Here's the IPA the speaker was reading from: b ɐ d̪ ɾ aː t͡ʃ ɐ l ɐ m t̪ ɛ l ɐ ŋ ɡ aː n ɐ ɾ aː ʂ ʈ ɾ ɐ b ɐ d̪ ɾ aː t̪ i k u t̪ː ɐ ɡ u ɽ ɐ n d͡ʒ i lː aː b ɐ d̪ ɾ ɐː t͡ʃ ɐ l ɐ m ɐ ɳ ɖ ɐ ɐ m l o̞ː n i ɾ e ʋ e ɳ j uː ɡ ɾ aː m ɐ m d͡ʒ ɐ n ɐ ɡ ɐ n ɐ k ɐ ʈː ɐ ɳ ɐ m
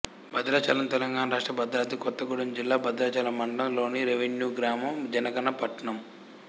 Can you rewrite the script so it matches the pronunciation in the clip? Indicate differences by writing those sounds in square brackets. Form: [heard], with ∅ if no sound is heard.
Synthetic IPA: b ɐ d̪ ɾ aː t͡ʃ ɐ l ɐ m t̪ ɛ l ɐ ŋ ɡ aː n ɐ ɾ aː ʂ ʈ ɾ ɐ b ɐ d̪ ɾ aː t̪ i k [ɔ] t̪ː ɐ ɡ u ɽ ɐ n d͡ʒ i lː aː b ɐ d̪ ɾ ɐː t͡ʃ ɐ l ɐ m ɐ ɳ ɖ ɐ ɐ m l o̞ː n i ɾ e ʋ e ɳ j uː ɡ ɾ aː m ɐ m d͡ʒ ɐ n ɐ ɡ ɐ n ɐ [p] ɐ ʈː ɐ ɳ ɐ m